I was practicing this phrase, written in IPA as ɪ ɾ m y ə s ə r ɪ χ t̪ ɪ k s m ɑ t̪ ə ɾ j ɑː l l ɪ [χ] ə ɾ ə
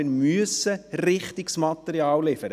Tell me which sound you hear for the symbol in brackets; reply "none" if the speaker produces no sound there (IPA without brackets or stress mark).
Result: f